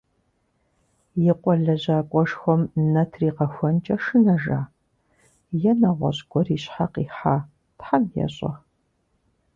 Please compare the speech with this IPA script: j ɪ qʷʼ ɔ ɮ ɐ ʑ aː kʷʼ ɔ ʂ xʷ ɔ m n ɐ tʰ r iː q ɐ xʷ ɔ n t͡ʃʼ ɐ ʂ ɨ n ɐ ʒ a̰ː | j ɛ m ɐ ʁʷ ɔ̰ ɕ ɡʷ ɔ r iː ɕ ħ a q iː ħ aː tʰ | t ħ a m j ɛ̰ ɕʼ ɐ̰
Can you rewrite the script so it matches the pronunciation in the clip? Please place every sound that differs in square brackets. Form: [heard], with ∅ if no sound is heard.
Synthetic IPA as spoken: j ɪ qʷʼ ɔ ɮ ɐ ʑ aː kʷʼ ɔ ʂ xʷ ɔ m n ɐ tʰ r iː q ɐ xʷ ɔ n t͡ʃʼ ɐ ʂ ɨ n ɐ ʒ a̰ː | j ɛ [n] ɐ ʁʷ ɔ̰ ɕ ɡʷ ɔ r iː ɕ ħ a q iː ħ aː [∅] | t ħ a m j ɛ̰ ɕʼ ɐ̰